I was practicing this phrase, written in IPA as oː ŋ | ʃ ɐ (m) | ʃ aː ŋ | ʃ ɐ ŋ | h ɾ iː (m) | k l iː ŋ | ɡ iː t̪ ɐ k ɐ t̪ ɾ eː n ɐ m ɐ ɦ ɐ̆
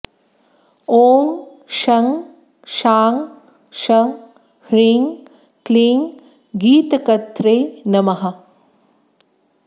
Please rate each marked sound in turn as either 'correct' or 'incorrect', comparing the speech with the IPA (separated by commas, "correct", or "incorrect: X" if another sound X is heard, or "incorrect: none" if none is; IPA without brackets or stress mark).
incorrect: ŋ, incorrect: ŋ